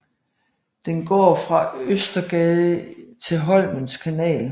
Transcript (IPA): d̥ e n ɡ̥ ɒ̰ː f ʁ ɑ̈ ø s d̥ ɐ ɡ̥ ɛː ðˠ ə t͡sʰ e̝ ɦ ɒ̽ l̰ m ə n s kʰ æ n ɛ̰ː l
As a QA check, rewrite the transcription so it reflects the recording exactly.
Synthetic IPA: d̥ e n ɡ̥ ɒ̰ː f ʁ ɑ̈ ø s d̥ ɐ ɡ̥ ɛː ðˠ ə t͡sʰ e̝ ɦ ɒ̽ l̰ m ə n s kʰ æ n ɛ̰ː l